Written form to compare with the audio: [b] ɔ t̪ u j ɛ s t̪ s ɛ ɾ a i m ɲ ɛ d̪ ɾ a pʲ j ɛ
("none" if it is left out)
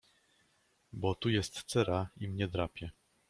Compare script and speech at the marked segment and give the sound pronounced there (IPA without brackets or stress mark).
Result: b